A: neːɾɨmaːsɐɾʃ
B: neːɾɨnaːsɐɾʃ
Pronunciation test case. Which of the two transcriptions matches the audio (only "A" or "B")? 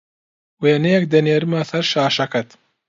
A